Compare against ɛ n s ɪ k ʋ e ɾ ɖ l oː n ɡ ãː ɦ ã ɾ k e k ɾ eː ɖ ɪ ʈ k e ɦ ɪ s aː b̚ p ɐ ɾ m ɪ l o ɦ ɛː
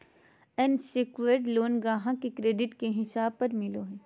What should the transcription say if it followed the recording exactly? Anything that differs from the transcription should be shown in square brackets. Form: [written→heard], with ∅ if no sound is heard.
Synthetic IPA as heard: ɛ n s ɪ k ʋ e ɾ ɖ l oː n ɡ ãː ɦ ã [ɾ→∅] k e k ɾ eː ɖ ɪ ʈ k e ɦ ɪ s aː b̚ p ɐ ɾ m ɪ l o ɦ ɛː